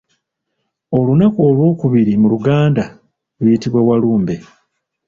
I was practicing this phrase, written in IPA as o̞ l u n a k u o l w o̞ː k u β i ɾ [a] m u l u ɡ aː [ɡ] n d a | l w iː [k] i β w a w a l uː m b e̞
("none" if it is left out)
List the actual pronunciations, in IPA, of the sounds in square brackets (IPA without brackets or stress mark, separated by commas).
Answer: i, none, t